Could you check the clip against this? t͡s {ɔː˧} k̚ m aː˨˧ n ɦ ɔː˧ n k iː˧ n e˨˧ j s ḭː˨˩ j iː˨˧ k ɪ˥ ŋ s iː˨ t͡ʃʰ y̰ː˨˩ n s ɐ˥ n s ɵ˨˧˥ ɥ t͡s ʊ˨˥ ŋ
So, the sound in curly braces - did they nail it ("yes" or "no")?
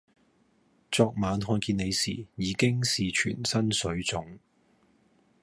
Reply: yes